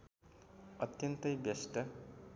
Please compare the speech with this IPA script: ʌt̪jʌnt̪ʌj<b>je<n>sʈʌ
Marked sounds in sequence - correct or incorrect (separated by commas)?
correct, incorrect